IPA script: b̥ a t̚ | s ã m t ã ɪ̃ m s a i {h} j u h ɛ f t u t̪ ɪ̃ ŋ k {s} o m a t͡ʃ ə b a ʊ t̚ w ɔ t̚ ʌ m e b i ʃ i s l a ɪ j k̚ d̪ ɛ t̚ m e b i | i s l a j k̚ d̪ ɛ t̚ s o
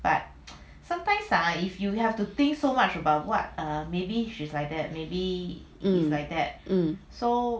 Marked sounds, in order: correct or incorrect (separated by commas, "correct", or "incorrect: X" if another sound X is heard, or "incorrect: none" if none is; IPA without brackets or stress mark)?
incorrect: f, correct